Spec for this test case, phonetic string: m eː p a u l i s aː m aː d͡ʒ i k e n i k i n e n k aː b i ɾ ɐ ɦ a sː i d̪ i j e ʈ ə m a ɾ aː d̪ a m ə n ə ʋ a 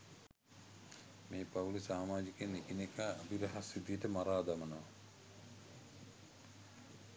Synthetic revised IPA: m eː p a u l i s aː m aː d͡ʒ i k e n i k i n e k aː b i ɾ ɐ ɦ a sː i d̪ i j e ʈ ə m a ɾ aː d̪ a m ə n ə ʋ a

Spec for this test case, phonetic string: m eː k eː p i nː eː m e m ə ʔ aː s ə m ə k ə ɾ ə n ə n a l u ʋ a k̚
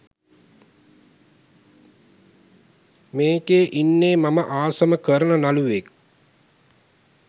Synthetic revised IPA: m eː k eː ʔ i nː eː m a m ə ʔ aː s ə m ə k ə ɾ ə n ə n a l u ʋ e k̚

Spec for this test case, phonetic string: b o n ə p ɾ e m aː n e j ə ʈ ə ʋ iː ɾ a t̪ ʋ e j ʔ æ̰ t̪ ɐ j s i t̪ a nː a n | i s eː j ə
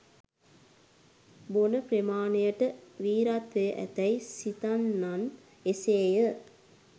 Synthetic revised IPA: b o n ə p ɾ e m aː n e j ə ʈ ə ʋ iː ɾ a t̪ ʋ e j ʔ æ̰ t̪ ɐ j s i t̪ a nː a n | e s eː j ə

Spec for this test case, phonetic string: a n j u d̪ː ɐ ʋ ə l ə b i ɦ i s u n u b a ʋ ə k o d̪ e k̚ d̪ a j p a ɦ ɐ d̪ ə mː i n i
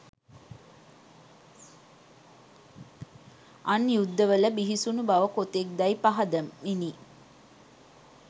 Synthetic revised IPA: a n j u d̪ː ə ʋ ə l ə b i ɦ i s u n u b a ʋ ə k o t̪ e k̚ d̪ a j p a ɦ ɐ d̪ ə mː i n i

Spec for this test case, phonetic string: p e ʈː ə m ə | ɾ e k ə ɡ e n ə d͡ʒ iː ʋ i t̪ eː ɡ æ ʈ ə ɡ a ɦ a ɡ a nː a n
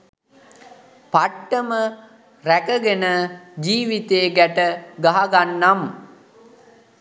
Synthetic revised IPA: p a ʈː ə m ə | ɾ æ k ə ɡ e n ə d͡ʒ iː ʋ i t̪ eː ɡ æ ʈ ə ɡ a ɦ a ɡ a nː a m

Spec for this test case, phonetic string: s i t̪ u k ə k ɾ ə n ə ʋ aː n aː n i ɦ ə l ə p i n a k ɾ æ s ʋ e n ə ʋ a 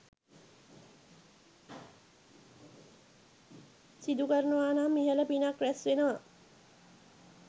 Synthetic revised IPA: s i d̪ u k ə ɾ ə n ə ʋ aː n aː m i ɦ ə l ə p i n a k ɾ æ s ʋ e n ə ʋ a

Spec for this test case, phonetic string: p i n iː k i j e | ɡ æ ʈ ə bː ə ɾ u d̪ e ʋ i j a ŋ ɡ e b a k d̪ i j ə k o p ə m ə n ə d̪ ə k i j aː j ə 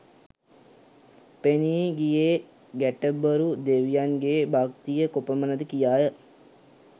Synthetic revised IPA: p e n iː ɡ i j e | ɡ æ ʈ ə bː ə ɾ u d̪ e ʋ i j a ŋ ɡ e b a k t̪ i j ə k o p ə m ə n ə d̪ ə k i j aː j ə

